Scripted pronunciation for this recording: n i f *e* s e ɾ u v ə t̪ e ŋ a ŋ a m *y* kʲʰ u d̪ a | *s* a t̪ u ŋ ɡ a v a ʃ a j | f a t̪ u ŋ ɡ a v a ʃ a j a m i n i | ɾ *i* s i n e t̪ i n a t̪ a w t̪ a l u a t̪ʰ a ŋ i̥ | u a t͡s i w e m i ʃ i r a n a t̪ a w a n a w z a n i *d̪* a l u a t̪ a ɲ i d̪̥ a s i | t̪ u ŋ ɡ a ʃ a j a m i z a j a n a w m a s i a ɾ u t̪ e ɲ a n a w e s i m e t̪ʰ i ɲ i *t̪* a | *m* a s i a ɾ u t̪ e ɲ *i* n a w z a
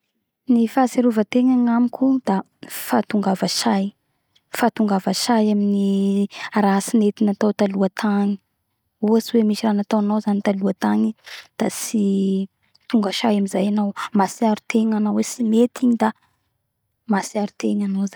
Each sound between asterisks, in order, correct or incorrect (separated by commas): incorrect, incorrect, incorrect, incorrect, incorrect, incorrect, correct, incorrect